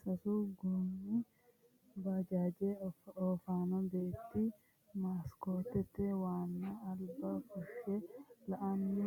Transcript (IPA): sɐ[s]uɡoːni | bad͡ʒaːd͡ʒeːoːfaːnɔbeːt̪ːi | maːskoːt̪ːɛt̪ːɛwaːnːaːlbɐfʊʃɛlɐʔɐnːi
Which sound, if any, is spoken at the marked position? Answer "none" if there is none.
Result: s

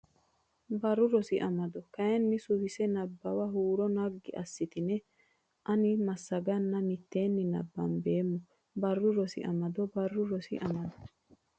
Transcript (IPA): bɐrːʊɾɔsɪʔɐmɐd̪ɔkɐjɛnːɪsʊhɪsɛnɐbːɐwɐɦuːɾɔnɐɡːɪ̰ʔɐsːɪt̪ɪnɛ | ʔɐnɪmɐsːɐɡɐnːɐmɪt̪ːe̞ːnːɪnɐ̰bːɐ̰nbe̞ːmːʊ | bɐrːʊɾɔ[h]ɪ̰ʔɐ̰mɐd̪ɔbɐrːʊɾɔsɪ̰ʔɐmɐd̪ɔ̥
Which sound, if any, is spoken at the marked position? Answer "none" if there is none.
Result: s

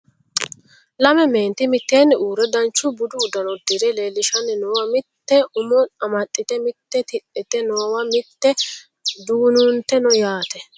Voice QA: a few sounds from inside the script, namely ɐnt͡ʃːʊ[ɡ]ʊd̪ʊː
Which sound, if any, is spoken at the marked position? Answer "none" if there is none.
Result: b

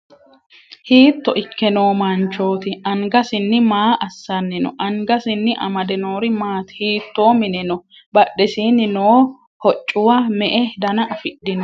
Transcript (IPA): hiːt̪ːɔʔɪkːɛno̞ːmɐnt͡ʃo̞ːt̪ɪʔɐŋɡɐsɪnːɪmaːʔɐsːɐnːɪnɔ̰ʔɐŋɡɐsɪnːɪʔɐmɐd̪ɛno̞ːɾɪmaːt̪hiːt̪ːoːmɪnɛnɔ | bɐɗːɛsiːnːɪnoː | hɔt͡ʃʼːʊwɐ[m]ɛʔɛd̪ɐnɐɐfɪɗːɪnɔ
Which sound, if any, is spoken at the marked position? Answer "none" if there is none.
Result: m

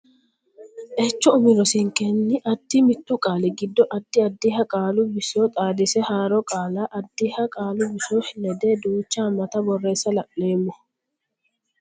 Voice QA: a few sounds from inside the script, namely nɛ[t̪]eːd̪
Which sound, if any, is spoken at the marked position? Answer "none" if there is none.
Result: d̪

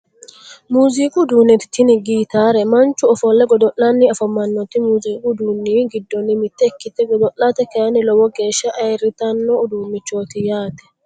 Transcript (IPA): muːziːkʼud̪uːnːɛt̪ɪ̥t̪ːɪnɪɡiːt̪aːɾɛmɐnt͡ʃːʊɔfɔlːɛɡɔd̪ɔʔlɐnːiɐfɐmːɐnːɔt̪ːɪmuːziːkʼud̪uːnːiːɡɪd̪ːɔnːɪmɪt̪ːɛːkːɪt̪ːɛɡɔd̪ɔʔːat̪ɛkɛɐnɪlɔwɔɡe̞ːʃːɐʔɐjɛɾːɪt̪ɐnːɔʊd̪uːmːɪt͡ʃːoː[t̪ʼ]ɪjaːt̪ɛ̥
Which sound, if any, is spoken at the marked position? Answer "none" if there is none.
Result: t̪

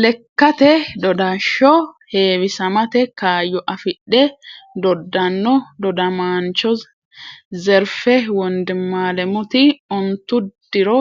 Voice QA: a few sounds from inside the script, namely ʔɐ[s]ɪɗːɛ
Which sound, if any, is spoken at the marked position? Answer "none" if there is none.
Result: f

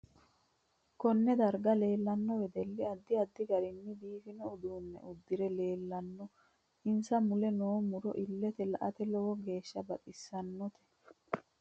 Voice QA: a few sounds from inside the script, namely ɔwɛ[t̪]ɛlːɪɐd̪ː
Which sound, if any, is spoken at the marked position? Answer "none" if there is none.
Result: d̪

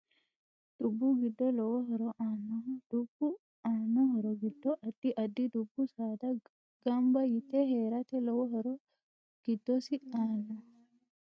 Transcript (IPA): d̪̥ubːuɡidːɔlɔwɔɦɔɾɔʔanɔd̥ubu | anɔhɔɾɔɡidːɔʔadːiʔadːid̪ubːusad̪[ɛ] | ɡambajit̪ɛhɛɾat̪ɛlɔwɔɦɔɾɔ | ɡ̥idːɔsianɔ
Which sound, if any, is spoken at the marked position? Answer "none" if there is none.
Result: a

